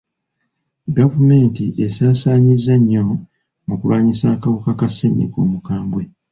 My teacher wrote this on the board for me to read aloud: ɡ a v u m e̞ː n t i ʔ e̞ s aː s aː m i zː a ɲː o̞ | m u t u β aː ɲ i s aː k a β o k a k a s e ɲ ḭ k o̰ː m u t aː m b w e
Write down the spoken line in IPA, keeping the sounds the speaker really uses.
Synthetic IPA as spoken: ɡ a v u m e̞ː n t i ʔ e̞ s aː s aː ɲ i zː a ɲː o̞ | m u k u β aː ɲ i s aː k a β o k a k a s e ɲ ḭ k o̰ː m u k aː m b w e